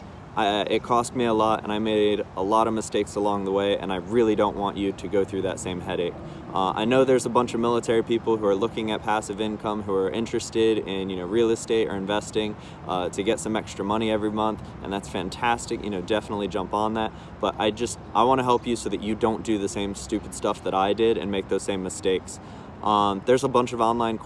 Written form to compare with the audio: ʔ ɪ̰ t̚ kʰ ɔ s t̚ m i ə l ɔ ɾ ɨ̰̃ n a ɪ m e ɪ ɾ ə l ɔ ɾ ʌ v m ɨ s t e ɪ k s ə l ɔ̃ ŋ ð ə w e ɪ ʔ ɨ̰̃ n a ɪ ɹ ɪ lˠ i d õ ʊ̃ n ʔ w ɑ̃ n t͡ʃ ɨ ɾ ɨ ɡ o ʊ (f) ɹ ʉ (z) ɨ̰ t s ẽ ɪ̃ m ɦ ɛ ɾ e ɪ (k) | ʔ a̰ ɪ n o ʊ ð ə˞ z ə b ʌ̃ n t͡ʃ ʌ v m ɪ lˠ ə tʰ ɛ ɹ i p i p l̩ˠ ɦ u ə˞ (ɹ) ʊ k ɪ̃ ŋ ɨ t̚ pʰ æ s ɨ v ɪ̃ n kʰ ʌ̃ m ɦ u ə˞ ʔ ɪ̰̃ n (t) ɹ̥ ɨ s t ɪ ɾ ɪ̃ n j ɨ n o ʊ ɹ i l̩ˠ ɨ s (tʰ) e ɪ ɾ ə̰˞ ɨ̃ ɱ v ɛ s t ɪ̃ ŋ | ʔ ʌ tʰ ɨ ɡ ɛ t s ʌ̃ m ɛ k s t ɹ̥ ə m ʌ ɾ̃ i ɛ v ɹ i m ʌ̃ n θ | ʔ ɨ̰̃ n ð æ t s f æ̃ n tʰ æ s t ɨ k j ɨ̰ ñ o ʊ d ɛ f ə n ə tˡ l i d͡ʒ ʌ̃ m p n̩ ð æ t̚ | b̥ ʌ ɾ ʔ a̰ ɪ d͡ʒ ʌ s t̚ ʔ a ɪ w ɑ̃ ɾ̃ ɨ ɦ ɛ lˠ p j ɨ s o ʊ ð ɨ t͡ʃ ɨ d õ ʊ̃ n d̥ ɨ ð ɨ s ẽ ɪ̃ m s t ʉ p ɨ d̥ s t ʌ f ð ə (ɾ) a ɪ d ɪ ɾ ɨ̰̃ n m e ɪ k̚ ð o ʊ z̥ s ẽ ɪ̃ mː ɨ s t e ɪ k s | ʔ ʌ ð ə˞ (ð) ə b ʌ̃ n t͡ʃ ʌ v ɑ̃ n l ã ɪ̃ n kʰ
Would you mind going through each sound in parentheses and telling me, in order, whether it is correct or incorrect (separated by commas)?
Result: incorrect, incorrect, correct, incorrect, incorrect, incorrect, correct, incorrect